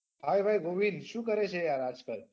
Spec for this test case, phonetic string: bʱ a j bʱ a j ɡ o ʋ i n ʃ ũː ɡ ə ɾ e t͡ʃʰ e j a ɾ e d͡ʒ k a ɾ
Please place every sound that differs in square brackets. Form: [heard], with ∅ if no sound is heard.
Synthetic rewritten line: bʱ a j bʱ a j ɡ o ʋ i n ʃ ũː [k] ə ɾ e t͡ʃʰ e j a ɾ [a] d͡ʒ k [ə] ɾ